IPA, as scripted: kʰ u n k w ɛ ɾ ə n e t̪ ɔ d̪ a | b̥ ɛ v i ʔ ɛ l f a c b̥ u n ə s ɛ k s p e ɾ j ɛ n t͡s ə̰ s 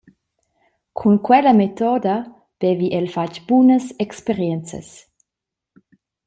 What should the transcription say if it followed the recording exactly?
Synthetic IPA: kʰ u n k w ɛ l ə m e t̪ ɔ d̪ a | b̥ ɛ v i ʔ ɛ l f a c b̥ u n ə s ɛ k s p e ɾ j ɛ n t͡s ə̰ s